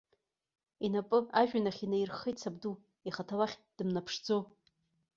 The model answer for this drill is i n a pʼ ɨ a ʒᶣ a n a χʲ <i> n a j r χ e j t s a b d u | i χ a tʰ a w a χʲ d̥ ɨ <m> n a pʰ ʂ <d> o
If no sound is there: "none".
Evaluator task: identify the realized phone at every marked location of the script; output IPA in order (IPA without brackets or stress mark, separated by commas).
i, m, d͡z